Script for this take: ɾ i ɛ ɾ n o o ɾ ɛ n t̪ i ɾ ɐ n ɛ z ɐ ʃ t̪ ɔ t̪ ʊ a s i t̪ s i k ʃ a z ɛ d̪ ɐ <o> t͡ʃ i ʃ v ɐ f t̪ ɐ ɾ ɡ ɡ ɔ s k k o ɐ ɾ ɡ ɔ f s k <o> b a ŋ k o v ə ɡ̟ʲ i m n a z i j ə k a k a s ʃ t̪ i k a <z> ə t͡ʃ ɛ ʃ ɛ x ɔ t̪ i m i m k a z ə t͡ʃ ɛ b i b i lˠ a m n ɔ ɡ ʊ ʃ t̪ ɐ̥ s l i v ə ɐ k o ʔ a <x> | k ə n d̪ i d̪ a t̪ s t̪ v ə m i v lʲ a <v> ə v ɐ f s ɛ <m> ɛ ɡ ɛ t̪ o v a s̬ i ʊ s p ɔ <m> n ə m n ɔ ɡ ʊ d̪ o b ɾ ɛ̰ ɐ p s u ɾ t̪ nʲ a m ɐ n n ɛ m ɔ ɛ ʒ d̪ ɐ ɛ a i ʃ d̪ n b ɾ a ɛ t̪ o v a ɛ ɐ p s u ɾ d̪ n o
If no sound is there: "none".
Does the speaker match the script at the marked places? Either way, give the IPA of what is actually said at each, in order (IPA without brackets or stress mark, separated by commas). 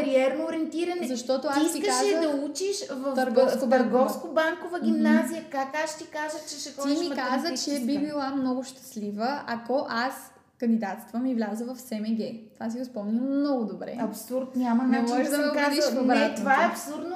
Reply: u, o, ʒ, s, z, m, m